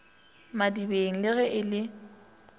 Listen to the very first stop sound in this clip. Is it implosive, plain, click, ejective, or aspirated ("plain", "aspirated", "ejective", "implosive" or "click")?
plain